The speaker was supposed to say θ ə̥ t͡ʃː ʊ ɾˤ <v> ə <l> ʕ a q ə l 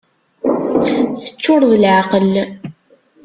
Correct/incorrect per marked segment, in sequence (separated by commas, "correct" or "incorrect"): incorrect, correct